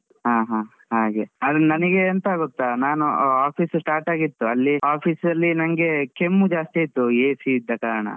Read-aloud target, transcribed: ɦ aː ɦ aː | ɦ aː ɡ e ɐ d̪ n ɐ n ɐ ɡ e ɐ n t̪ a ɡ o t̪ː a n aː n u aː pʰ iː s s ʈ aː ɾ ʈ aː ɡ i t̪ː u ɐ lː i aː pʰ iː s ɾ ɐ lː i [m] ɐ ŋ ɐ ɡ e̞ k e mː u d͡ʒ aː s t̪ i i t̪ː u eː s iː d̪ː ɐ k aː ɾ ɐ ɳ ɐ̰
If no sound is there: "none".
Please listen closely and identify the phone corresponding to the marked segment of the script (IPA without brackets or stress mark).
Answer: n